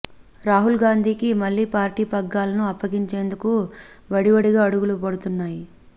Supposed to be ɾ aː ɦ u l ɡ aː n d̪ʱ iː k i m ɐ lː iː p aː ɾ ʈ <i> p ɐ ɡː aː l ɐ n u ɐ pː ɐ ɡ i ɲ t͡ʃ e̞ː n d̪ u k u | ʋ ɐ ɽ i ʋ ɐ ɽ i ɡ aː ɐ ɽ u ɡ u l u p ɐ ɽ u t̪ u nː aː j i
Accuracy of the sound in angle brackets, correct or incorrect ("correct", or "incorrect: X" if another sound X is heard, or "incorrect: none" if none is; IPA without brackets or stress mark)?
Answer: incorrect: iː